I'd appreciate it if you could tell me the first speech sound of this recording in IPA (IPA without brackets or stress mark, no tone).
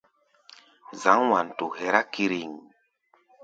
z